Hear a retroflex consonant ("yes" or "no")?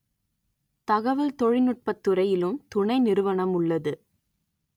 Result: yes